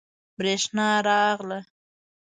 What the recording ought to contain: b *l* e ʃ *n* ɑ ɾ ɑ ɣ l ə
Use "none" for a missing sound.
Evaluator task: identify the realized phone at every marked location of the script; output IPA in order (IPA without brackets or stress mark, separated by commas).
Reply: ɾ, n